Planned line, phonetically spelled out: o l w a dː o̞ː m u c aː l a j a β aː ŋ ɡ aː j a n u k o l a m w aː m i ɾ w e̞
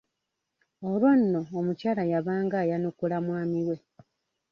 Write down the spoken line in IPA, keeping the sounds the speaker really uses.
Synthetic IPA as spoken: o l w a nː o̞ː m u c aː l a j a β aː ŋ ɡ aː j a n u k u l a m w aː m i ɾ w e̞